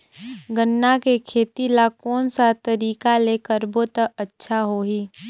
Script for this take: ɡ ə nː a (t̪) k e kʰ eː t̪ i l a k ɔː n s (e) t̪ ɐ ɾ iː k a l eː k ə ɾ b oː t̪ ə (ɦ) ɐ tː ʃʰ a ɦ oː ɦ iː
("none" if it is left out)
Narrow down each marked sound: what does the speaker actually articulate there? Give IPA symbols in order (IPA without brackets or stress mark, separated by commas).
none, a, none